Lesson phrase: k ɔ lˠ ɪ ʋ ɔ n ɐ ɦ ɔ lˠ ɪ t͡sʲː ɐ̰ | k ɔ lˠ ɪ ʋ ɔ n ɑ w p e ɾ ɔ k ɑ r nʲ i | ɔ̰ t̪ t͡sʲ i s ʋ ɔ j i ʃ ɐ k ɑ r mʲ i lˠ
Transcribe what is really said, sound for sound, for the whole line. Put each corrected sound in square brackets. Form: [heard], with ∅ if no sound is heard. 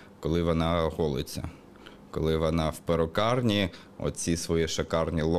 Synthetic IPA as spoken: k ɔ lˠ ɪ ʋ ɔ n [ɑ] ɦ ɔ lˠ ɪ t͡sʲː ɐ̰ | k ɔ lˠ ɪ ʋ ɔ n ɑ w p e ɾ ɔ k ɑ r nʲ i | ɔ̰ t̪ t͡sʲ i s ʋ ɔ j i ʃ ɐ k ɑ r [nʲ] i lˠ